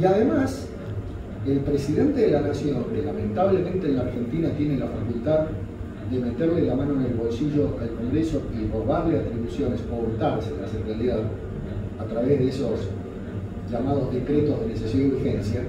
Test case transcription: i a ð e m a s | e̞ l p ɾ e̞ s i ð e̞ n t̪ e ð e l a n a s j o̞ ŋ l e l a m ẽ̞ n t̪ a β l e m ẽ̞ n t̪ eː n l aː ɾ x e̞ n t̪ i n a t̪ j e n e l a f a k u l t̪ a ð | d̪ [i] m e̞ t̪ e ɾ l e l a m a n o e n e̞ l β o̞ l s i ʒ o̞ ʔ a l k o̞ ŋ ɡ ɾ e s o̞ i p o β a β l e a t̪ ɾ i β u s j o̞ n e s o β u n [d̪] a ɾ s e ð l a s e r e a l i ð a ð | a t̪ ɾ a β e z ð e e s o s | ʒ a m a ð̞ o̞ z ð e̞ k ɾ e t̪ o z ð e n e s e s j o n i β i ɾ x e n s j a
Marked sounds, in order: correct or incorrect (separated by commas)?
incorrect, incorrect